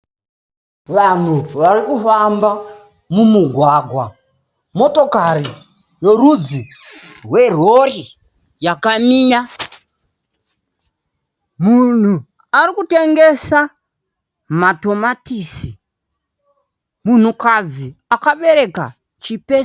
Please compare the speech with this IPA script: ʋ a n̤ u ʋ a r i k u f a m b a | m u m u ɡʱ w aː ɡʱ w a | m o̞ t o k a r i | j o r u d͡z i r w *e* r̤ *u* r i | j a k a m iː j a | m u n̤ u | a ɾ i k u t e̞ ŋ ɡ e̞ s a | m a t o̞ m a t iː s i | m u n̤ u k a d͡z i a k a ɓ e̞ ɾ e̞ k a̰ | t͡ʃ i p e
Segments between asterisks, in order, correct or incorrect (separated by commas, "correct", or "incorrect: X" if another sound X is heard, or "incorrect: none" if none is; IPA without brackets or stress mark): correct, incorrect: o